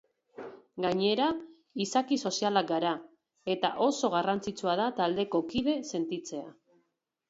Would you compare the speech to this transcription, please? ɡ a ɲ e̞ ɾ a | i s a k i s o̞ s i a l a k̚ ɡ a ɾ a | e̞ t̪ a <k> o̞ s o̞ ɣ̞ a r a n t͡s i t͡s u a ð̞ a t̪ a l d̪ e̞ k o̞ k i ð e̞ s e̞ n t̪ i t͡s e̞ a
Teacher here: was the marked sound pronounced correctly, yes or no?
no